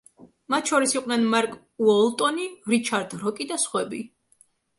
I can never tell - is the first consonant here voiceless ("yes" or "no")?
no